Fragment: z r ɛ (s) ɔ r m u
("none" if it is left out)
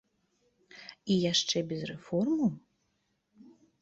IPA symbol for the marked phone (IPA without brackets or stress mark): f